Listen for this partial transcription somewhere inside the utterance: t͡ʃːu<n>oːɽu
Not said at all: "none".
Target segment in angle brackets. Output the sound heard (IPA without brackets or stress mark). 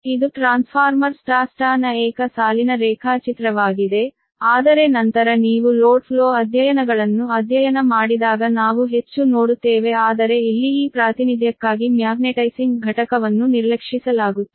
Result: n